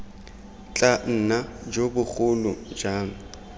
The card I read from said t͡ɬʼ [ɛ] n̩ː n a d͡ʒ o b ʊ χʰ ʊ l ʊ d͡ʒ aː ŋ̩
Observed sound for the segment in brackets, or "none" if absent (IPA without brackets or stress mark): a